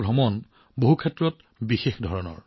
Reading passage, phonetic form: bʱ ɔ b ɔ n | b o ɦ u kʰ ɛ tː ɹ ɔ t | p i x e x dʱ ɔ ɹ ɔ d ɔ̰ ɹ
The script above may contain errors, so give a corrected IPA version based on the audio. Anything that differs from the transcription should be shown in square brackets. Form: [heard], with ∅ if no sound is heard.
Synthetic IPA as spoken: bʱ ɔ [m] ɔ n | b o ɦ u kʰ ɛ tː ɹ ɔ t | [b] i x e x dʱ ɔ ɹ ɔ [n] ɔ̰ ɹ